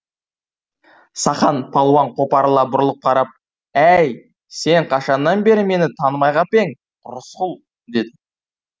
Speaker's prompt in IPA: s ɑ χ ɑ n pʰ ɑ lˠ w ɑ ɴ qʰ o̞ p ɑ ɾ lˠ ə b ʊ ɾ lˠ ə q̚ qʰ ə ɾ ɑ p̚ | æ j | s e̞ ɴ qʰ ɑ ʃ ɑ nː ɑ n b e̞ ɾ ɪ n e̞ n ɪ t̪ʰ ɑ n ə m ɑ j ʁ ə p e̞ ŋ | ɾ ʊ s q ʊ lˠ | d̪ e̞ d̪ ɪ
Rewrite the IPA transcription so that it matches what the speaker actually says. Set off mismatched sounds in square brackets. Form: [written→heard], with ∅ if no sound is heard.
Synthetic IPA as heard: s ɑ χ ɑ n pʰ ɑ lˠ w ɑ ɴ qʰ o̞ p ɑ ɾ lˠ [ə→ɑ] b ʊ ɾ lˠ ə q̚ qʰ [ə→ɑ] ɾ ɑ p̚ | æ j | s e̞ ɴ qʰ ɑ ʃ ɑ nː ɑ n b e̞ ɾ ɪ [n→m] e̞ n ɪ t̪ʰ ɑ n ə m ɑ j ʁ [ə→ɑ] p e̞ ŋ | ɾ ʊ s q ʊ lˠ | d̪ e̞ d̪ ɪ